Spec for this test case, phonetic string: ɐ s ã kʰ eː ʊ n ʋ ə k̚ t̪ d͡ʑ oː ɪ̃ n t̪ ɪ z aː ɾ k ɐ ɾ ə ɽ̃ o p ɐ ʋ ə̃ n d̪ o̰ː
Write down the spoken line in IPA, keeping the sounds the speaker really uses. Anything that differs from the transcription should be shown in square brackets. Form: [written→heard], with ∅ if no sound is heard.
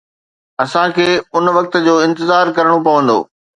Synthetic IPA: ɐ s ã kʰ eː ʊ n ʋ [ə→ɐ] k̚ t̪ d͡ʑ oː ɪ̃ n t̪ ɪ z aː ɾ k ɐ ɾ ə ɽ̃ o p ɐ ʋ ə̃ n d̪ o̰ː